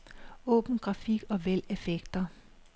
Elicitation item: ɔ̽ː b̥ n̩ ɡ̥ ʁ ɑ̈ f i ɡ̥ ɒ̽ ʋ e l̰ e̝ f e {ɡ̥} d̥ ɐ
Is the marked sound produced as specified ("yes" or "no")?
yes